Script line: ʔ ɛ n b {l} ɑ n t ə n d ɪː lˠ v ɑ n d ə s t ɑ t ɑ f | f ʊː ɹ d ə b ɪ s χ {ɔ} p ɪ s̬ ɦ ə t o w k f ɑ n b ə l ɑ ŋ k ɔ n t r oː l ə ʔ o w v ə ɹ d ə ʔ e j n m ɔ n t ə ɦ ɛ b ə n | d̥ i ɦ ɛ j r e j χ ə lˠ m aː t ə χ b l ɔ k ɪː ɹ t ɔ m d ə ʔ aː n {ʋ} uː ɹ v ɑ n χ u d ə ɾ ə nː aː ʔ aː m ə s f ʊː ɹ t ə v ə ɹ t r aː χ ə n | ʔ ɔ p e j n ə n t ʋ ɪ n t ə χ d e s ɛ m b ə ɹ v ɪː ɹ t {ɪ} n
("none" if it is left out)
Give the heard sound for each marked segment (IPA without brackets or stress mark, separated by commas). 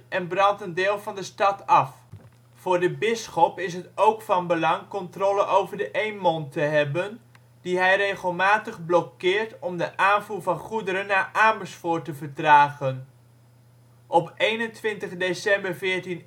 r, ɔ, v, i